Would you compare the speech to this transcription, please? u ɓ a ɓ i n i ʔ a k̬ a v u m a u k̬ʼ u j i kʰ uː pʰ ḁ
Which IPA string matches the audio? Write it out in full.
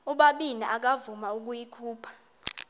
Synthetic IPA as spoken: u ɓ a ɓ i n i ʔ a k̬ a v u m a u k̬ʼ u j i kʰ uː pʰ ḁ